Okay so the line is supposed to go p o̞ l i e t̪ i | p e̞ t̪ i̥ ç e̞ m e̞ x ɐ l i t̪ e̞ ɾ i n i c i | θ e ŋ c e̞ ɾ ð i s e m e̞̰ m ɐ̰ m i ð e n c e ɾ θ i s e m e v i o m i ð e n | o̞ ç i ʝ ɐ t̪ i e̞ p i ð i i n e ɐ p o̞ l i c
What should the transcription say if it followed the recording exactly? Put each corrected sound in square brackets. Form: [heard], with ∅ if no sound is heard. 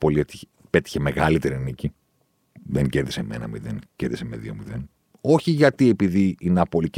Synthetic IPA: p o̞ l i e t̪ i | p e̞ t̪ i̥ ç e̞ m e̞ [ɣ] ɐ l i t̪ e̞ ɾ i n i c i | [ð] e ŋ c e̞ ɾ ð i s e m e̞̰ [n] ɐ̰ m i ð e n c e ɾ [ð] i s e m e [ð] i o m i ð e n | o̞ ç i ʝ ɐ t̪ i e̞ p i ð i i n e ɐ p o̞ l i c